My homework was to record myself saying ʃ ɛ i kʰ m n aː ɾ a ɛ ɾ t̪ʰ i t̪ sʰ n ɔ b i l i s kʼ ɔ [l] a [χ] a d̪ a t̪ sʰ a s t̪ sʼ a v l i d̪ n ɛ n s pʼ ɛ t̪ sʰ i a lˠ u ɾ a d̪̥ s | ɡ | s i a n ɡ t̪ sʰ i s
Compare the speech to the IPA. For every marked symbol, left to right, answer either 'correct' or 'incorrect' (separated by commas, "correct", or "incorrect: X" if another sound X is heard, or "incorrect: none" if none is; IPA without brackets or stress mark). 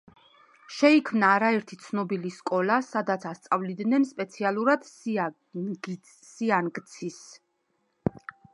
correct, incorrect: s